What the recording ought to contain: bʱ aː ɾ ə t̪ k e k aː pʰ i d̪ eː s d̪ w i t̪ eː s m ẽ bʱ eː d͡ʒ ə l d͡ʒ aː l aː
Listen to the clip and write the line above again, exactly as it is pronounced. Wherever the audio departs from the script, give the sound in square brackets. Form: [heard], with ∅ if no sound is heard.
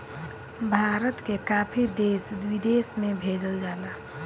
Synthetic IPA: bʱ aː ɾ ə t̪ k e k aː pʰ i d̪ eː s d̪ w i [d̪] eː s m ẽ bʱ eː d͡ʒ ə l d͡ʒ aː l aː